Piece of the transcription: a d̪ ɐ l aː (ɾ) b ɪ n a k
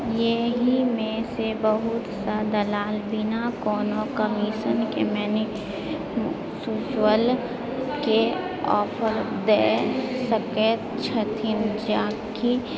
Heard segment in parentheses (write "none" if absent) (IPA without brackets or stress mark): l